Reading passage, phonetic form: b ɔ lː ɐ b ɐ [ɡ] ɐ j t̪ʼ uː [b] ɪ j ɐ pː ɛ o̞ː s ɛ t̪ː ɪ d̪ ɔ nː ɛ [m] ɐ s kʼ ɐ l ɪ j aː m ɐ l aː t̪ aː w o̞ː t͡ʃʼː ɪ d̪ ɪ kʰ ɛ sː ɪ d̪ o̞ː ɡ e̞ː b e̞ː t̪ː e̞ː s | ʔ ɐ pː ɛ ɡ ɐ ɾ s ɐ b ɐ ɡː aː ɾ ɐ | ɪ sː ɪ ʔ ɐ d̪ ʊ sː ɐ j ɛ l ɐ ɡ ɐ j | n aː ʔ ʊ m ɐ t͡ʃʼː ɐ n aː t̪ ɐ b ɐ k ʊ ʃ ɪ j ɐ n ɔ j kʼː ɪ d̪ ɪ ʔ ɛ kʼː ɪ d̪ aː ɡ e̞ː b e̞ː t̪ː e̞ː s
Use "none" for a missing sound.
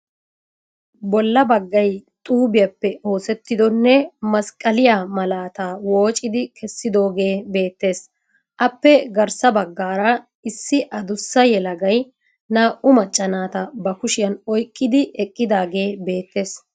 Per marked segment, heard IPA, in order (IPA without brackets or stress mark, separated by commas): ɡː, b, m